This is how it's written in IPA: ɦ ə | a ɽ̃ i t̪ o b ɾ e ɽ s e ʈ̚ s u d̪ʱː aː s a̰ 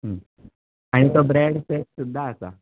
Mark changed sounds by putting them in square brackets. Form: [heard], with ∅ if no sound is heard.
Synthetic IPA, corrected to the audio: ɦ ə | a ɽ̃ i t̪ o b ɾ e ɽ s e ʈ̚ s u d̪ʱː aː s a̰